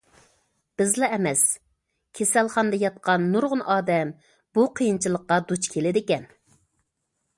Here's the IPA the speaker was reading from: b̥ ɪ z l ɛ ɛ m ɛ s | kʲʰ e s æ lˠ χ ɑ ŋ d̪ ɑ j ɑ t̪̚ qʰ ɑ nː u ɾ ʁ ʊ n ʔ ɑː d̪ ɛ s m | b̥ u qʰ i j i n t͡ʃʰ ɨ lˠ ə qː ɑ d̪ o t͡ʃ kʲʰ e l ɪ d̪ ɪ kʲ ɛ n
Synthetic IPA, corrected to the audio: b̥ ɪ z l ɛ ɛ m ɛ s | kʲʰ e s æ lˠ χ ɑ n d̪ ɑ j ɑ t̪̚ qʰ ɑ nː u ɾ ʁ ʊ n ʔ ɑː d̪ ɛ m | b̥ u qʰ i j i n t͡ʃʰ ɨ lˠ ə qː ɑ d̪ u t͡ʃ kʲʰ e l ɪ d̪ ɪ kʲ ɛ n